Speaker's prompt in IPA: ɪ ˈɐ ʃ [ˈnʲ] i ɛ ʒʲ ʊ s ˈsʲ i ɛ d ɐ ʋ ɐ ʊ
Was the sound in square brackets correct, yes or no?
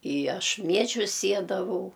no